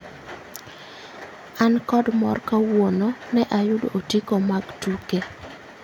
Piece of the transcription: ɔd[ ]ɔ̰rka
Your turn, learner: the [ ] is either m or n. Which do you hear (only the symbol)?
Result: m